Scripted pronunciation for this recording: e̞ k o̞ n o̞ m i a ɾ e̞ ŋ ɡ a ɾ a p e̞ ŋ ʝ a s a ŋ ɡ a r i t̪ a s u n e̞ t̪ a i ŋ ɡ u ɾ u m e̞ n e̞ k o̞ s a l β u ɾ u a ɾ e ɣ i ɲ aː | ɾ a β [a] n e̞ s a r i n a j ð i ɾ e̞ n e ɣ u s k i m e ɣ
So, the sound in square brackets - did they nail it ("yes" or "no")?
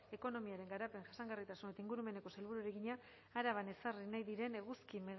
yes